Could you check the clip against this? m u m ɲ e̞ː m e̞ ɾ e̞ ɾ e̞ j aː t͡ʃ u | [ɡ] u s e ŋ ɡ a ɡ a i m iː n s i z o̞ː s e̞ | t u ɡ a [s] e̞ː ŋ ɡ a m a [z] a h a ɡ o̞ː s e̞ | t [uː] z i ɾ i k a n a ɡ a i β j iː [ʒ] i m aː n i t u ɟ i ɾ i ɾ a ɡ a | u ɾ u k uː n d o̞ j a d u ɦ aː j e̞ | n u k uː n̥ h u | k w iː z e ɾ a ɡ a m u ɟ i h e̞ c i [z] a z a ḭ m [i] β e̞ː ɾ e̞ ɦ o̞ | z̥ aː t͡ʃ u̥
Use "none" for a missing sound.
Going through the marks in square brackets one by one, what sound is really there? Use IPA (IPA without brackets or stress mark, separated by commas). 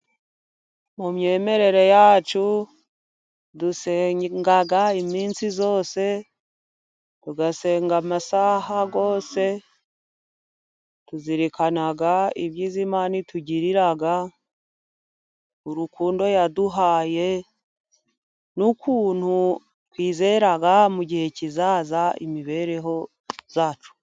d, s, s, u, z, z, i